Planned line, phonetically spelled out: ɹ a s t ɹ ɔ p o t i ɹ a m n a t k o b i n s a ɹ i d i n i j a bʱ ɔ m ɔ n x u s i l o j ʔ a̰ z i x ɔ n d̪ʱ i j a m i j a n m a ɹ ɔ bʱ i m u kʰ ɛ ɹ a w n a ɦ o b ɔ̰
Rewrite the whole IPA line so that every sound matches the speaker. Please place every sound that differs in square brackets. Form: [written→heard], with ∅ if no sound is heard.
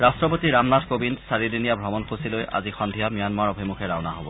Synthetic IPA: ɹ a s t ɹ ɔ p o t i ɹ a m n a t k o b i n s a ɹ i d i n i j a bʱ ɔ m ɔ n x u s i l o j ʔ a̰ z i x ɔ n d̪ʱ i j a m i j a n m a ɹ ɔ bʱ i m u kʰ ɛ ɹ a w n a ɦ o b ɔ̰